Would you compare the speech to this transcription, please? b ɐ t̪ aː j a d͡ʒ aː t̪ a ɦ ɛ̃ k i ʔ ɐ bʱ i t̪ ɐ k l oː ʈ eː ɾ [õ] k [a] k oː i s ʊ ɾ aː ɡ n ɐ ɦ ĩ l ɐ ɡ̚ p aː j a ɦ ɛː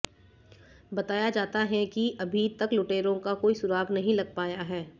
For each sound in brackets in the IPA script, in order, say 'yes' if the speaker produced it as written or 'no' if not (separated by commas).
yes, yes